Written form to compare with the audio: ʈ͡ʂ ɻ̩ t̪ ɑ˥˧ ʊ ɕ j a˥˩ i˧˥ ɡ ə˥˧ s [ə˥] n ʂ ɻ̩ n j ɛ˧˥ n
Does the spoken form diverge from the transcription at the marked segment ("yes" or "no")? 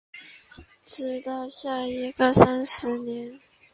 yes